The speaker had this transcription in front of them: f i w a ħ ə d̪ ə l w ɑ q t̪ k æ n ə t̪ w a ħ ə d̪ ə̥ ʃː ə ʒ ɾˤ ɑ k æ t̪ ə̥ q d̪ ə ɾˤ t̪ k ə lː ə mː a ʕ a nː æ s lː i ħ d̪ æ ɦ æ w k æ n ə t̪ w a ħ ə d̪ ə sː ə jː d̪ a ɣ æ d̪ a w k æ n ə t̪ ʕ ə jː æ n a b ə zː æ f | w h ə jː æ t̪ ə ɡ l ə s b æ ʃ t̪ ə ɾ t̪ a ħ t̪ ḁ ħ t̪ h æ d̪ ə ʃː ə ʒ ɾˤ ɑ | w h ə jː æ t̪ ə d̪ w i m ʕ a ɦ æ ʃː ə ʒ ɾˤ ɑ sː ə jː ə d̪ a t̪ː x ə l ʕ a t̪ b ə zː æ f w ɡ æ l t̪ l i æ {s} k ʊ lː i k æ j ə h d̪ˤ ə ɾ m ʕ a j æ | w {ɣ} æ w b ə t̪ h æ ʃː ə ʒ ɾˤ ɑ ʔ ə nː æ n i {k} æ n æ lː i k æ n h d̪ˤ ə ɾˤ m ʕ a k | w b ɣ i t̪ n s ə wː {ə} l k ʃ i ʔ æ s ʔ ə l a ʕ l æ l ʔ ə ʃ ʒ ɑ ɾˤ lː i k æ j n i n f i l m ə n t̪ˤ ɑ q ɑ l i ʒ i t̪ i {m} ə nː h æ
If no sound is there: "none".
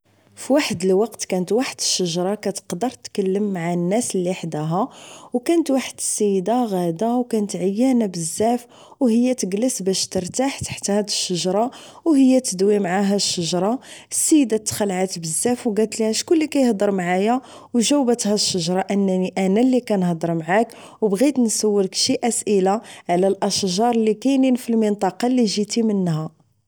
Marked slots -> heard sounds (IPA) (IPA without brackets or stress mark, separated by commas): ʃ, ʒ, ʔ, ə, m